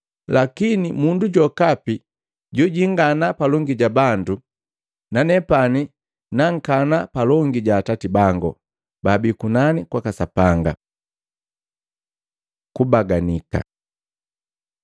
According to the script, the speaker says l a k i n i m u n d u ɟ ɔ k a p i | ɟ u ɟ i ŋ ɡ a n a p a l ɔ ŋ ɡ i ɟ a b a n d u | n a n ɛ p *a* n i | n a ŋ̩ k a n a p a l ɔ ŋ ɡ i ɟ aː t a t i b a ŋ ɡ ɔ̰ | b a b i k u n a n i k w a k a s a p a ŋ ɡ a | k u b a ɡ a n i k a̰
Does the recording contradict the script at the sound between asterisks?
no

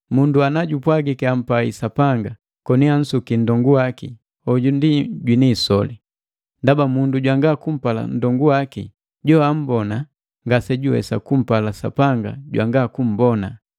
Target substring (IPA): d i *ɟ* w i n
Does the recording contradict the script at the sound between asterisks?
no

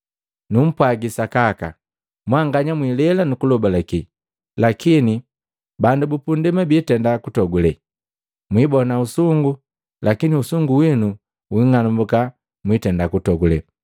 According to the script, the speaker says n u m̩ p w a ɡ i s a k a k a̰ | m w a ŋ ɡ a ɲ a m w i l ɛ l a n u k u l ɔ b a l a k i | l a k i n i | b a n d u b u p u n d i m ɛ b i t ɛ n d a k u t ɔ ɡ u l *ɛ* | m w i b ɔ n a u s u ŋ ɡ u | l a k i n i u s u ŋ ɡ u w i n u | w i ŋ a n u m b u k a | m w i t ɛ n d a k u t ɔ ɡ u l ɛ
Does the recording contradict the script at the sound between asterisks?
no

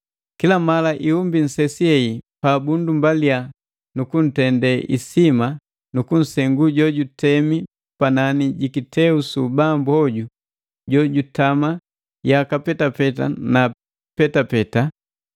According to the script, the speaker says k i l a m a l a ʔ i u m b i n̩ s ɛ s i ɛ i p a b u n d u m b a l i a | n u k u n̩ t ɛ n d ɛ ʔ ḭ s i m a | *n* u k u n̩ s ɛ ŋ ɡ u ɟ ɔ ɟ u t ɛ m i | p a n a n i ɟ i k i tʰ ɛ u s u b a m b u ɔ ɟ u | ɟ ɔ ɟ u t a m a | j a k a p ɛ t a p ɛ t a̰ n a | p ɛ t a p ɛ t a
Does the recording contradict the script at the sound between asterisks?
no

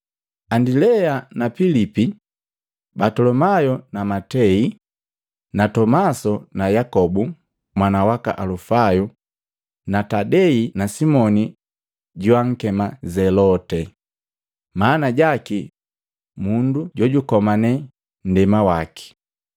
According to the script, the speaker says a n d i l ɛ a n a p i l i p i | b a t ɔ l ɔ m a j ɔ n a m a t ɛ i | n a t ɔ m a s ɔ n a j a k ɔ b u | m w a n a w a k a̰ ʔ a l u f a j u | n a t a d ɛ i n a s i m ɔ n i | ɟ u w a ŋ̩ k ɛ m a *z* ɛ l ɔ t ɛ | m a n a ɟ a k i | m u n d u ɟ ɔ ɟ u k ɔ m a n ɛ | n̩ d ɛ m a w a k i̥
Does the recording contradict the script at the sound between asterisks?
no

